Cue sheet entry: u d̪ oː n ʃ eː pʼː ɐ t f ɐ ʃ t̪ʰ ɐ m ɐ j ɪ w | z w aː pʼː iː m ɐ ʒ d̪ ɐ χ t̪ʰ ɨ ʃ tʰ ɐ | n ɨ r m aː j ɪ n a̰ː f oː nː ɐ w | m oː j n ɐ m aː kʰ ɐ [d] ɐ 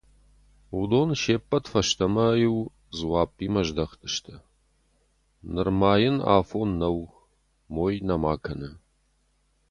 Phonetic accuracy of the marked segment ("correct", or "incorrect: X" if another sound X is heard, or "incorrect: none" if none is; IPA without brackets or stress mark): incorrect: n